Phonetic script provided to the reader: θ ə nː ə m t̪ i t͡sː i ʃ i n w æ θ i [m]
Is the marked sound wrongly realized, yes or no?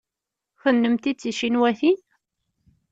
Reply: yes